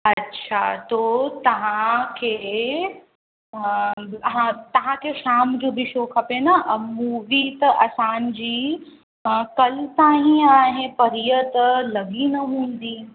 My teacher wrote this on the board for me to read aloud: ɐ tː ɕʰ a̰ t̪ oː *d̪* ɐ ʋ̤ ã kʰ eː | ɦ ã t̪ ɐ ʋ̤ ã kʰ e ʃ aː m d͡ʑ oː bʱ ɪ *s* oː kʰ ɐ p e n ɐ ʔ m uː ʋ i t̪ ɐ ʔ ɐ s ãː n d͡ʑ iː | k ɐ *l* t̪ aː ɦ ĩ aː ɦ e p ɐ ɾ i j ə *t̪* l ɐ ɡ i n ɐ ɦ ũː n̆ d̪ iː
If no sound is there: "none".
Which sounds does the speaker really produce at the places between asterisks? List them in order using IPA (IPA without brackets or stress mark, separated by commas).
t̪, ʃ, l, t̪